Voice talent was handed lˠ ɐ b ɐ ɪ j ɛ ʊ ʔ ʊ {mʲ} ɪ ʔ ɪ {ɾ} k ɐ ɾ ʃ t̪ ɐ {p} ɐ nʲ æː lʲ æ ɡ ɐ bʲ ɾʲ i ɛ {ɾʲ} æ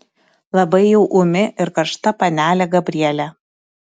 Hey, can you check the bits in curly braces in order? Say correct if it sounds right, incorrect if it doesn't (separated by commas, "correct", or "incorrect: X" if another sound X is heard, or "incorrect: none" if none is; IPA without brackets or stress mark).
correct, correct, correct, incorrect: lʲ